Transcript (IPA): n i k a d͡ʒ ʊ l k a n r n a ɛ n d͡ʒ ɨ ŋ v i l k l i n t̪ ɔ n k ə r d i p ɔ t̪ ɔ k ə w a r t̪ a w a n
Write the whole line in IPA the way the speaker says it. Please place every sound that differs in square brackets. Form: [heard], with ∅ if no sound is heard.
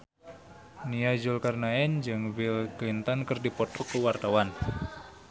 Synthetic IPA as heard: n i [∅] a d͡ʒ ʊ l k a [∅] r n a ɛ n d͡ʒ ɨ ŋ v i l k l i n t̪ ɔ n k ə r d i p ɔ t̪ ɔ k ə w a r t̪ a w a n

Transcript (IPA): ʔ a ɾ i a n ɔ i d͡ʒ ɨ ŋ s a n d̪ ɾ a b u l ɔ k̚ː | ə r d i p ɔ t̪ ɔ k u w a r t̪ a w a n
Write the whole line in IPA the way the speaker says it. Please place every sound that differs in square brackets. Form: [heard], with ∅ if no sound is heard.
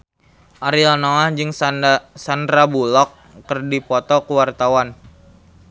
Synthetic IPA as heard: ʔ a ɾ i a n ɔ [a] d͡ʒ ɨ ŋ s a n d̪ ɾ a b u l ɔ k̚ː | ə r d i p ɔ t̪ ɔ k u w a r t̪ a w a n

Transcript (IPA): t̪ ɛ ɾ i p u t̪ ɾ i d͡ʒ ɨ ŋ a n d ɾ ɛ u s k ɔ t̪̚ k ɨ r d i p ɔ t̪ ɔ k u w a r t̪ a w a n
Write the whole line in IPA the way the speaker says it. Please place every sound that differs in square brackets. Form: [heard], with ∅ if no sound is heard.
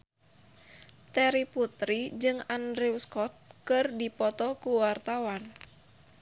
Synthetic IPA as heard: t̪ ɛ ɾ i p u t̪ ɾ i d͡ʒ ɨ ŋ a n d ɾ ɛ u s k ɔ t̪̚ k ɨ r d i p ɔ t̪ ɔ k u w a r t̪ a w a n

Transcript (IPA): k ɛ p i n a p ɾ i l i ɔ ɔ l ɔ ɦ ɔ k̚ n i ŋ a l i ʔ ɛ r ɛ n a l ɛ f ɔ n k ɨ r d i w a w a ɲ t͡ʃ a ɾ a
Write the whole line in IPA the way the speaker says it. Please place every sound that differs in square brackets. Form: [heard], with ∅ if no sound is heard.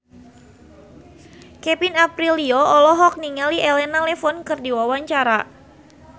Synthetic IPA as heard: k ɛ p i n a p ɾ i l i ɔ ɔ l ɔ ɦ ɔ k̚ n i ŋ a l i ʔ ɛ [l] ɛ n a l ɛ f ɔ n k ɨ r d i w a w a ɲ t͡ʃ a ɾ a

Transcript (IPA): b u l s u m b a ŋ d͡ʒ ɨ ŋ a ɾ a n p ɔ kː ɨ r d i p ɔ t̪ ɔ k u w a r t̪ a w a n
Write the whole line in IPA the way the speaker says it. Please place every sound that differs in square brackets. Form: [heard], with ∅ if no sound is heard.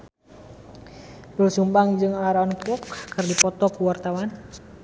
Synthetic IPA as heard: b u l s u m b a ŋ d͡ʒ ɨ ŋ a ɾ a n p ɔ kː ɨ r d i p ɔ t̪ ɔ k u w a r t̪ a w a n

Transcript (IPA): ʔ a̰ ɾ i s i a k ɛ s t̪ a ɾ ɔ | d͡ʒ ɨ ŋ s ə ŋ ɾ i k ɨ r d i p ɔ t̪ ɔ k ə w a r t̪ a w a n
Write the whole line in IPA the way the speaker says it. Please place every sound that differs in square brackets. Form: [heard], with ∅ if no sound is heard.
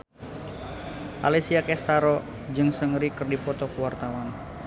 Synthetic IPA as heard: ʔ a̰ [l] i s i a k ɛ s t̪ a ɾ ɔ | d͡ʒ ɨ ŋ s ə ŋ ɾ i k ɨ r d i p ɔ t̪ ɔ k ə w a r t̪ a w a n

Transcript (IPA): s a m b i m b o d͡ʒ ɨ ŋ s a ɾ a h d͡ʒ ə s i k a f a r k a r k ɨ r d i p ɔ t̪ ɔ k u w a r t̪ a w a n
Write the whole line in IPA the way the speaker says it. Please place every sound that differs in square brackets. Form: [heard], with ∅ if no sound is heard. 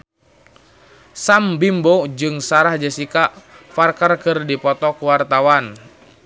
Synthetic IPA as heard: s a m b i m b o d͡ʒ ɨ ŋ s a ɾ a h d͡ʒ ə s i k a f a r k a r k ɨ r d i p ɔ t̪ ɔ k u w a r t̪ a w a n

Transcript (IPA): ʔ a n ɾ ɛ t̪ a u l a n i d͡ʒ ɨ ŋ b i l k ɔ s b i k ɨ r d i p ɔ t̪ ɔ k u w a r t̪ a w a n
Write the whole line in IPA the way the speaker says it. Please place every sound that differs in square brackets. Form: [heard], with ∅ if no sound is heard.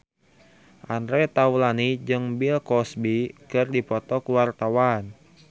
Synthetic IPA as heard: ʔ a n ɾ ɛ t̪ a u l a n i d͡ʒ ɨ ŋ b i l k ɔ s b i k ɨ r d i p ɔ t̪ ɔ k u w a r t̪ a w a n

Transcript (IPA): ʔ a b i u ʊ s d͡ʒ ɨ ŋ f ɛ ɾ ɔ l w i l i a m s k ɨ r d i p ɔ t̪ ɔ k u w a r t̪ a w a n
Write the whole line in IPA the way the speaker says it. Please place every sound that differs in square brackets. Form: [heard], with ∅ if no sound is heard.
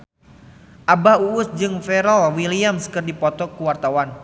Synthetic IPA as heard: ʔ a b [a] u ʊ s d͡ʒ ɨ ŋ f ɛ ɾ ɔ l w i l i a m s k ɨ r d i p ɔ t̪ ɔ k u w a r t̪ a w a n

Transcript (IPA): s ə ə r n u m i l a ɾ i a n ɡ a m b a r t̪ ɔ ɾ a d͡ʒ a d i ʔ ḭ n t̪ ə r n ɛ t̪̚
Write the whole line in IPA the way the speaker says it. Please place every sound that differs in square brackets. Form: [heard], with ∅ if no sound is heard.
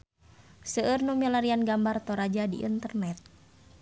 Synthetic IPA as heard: s ə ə r n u m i l a ɾ i a n ɡ a m b a r t̪ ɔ ɾ a d͡ʒ a d i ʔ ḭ n t̪ ə r n ɛ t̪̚

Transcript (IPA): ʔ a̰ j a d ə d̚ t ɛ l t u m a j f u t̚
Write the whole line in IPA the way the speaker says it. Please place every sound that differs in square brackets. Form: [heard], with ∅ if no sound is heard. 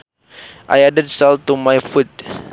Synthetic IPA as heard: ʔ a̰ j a d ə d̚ [s] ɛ l t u m a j f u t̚

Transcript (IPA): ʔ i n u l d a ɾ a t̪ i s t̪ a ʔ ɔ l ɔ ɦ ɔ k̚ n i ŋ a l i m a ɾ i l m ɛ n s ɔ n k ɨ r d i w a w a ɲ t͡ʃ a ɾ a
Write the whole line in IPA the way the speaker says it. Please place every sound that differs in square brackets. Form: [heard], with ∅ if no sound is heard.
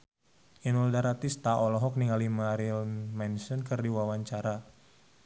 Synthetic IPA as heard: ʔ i n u l d a ɾ a t̪ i s t̪ a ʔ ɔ l ɔ ɦ ɔ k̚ n i ŋ a l i m a ɾ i l m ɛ n s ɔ n k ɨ r d i w a w a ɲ t͡ʃ a ɾ a

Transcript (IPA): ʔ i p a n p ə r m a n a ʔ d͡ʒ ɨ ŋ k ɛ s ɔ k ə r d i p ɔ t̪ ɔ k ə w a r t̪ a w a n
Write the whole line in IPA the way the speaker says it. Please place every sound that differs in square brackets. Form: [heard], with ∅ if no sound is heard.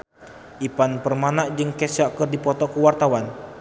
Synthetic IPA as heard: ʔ i p a n p ə r m a n a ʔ d͡ʒ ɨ ŋ k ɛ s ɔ k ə r d i p ɔ t̪ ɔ k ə w a r t̪ a w a n

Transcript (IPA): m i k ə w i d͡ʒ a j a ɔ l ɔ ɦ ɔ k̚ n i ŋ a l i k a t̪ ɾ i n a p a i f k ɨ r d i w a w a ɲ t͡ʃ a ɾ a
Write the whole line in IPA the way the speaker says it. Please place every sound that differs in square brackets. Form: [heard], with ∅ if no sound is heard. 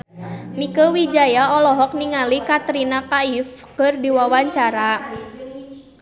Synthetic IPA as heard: m i k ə w i d͡ʒ a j a ɔ l ɔ ɦ ɔ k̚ n i ŋ a l i k a t̪ ɾ i n a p a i f k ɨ r d i w a w a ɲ t͡ʃ a ɾ a

